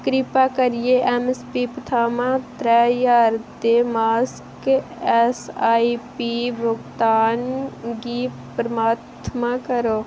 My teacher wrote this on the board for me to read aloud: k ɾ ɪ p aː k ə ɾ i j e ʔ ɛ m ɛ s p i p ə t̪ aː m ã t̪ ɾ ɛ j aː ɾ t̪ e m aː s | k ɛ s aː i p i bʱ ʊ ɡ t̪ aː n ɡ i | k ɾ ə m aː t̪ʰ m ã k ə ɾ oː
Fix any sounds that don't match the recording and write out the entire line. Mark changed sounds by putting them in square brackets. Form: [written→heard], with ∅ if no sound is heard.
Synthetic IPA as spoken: k ɾ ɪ p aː k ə ɾ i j e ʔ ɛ m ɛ s p i p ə [t̪→t̪ʰ] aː m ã t̪ ɾ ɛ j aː ɾ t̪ e m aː s | k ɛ s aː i p i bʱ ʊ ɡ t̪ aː n ɡ i | [k→p] ɾ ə m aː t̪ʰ m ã k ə ɾ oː